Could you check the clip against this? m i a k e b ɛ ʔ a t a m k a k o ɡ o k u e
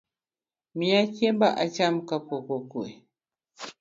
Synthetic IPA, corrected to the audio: m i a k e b a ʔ a t͡ʃ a m k a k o k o k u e